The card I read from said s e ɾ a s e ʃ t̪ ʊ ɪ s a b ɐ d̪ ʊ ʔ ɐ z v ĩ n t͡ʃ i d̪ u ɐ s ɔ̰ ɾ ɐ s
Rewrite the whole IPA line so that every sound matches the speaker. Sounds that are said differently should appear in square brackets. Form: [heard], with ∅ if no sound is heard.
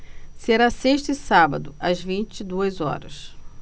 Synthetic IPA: s e ɾ a s e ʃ t̪ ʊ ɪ s a b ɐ d̪ ʊ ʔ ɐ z v ĩ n t͡ʃ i d̪ u ɐ [z] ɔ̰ ɾ ɐ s